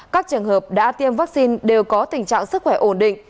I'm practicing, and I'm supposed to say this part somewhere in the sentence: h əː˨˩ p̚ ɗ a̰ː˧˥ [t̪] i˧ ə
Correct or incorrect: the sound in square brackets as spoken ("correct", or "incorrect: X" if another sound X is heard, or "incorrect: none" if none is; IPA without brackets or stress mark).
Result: correct